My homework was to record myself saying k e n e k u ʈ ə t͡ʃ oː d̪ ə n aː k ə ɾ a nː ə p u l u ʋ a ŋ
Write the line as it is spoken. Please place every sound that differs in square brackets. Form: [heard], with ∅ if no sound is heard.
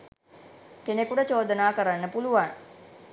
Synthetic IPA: k e n e k u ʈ ə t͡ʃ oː d̪ ə n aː k ə ɾ a nː ə p u l u ʋ a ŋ